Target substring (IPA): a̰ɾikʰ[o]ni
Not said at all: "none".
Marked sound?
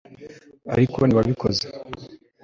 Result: o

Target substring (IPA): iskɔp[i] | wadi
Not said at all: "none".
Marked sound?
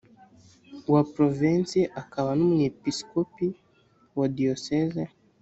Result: i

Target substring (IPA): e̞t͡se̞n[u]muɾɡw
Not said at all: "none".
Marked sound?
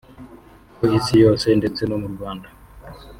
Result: o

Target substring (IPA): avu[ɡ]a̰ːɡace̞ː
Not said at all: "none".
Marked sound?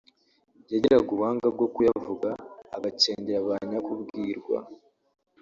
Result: ɡ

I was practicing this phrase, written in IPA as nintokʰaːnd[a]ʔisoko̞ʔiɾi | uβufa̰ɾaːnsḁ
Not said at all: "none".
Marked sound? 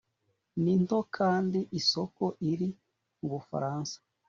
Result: i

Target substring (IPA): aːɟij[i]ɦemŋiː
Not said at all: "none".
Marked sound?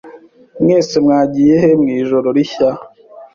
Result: e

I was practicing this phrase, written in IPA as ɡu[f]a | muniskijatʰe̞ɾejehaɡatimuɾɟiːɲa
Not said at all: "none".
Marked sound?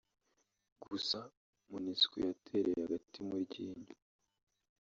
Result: s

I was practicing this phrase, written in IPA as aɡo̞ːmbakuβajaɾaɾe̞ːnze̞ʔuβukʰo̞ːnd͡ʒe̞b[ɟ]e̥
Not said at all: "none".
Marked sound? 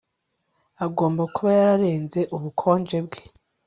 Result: ɡ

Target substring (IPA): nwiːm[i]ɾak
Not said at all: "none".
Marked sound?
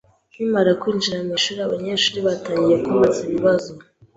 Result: a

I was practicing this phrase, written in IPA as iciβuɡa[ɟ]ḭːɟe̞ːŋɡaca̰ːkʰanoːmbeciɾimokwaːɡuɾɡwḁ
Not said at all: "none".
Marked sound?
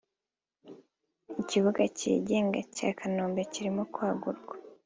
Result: c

